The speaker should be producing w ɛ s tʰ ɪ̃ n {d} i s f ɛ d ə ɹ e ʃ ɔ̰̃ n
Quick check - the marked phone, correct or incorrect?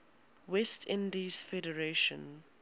correct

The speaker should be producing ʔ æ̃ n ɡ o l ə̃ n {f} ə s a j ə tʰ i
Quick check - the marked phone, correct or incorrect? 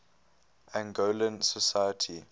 incorrect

